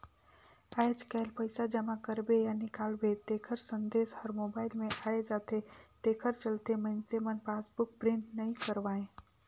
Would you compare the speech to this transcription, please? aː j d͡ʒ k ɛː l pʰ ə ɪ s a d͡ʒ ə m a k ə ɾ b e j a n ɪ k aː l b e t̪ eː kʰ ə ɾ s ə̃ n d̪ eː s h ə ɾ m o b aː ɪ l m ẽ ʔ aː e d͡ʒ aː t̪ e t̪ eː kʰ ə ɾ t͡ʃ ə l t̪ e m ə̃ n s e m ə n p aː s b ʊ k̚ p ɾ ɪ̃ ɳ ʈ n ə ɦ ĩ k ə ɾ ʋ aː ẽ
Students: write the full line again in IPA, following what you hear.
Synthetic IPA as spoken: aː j d͡ʒ k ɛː l p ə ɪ s a d͡ʒ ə m a k ə ɾ b e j a n ɪ k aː l b e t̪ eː kʰ ə ɾ s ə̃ n d̪ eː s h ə ɾ m o b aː ɪ l m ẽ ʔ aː e d͡ʒ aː t̪ e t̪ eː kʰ ə ɾ t͡ʃ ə l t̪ e m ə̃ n s e m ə n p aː s b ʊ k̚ p ɾ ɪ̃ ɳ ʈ n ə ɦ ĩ k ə ɾ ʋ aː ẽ